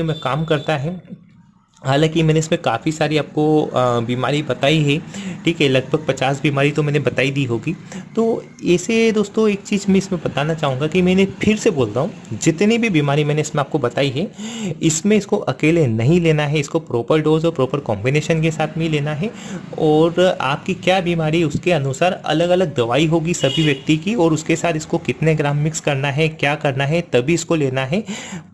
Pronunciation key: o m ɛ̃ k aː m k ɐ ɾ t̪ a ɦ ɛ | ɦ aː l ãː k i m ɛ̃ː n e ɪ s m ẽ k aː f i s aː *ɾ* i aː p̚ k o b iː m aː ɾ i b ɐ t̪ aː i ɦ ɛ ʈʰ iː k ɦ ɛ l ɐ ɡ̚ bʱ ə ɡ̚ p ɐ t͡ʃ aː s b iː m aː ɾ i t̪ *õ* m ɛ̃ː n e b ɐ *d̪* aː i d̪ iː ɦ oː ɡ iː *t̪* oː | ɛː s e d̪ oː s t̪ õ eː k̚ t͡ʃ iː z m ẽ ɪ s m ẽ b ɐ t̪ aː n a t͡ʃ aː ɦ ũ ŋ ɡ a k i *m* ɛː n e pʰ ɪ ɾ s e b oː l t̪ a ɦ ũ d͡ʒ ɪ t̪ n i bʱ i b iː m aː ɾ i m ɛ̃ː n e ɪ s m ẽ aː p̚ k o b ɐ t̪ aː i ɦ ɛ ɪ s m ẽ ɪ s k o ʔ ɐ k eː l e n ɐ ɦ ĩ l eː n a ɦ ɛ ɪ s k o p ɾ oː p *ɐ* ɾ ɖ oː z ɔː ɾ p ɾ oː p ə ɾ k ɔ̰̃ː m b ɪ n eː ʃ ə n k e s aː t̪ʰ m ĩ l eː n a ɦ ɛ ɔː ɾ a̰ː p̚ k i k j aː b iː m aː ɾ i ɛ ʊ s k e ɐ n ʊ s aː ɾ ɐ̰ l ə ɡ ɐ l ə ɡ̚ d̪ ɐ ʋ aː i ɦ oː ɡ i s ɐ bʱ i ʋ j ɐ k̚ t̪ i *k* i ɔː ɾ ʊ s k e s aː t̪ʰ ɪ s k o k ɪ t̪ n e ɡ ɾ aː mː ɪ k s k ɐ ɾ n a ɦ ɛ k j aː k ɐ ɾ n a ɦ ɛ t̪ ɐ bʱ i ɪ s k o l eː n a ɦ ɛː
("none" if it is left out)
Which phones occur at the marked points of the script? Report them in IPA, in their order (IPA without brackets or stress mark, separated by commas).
ɾ, o, t̪, t̪, m, ə, k